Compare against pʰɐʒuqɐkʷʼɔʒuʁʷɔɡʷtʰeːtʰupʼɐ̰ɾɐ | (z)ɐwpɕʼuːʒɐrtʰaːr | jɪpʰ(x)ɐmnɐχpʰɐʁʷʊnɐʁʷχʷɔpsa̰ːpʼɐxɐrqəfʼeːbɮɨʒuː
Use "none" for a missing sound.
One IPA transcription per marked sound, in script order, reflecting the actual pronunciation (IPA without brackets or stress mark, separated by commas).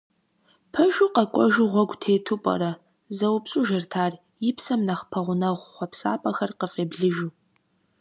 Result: z, s